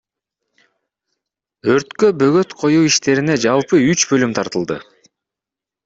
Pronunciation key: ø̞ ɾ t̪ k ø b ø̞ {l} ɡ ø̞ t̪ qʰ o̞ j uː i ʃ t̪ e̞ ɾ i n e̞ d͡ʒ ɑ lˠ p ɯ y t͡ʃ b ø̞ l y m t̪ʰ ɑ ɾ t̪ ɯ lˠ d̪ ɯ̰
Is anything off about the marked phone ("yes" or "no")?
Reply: yes